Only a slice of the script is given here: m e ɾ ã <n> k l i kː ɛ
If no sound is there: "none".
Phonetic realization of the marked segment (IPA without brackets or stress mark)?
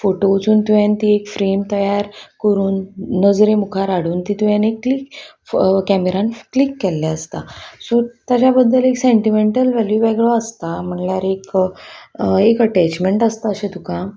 n